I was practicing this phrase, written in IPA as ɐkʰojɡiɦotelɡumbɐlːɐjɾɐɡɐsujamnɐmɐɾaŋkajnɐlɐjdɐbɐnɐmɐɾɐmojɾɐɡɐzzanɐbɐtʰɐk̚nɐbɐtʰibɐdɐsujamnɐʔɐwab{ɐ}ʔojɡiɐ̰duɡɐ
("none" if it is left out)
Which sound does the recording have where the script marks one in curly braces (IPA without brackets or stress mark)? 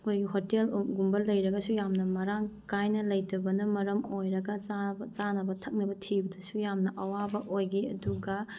ɐ